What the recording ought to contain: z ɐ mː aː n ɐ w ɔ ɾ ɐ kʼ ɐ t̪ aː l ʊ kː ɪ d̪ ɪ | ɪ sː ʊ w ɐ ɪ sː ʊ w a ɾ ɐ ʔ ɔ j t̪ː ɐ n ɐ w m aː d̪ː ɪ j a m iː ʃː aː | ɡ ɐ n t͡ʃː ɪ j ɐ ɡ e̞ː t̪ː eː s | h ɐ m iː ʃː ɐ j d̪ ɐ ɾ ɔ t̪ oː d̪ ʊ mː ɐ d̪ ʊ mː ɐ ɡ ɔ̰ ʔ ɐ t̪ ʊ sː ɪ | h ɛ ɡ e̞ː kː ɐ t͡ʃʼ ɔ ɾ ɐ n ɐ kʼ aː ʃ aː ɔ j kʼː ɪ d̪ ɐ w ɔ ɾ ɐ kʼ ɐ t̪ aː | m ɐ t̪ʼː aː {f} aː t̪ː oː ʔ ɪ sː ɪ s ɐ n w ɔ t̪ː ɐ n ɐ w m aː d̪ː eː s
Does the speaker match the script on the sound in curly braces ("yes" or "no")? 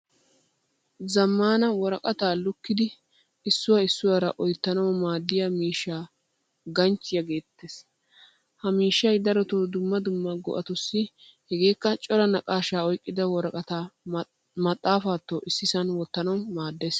yes